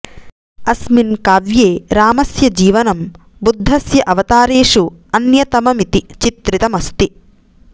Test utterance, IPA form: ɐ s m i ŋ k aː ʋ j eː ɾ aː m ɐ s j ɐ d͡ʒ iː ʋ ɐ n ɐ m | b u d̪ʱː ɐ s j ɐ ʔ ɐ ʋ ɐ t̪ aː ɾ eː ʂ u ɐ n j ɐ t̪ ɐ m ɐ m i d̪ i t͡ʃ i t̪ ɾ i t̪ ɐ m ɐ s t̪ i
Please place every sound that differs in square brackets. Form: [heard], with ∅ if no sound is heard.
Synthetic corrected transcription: ɐ s m i [n] k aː ʋ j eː ɾ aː m ɐ s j ɐ d͡ʒ iː ʋ ɐ n ɐ m | b u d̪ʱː ɐ s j ɐ ʔ ɐ ʋ ɐ t̪ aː ɾ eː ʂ u ɐ n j ɐ t̪ ɐ m ɐ m i [t̪] i t͡ʃ i t̪ ɾ i t̪ ɐ m ɐ s t̪ i